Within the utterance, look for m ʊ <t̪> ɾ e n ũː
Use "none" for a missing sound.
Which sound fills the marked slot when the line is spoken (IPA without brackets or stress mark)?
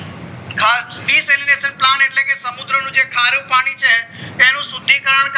d̪